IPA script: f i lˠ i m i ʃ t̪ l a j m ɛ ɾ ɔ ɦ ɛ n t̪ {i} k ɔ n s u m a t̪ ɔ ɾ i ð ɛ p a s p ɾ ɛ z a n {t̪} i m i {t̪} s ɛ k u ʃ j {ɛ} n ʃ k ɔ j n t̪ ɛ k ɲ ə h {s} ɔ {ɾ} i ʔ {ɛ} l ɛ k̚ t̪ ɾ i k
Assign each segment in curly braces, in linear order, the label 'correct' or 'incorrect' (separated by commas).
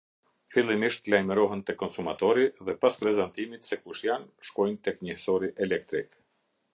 incorrect, correct, correct, incorrect, correct, correct, correct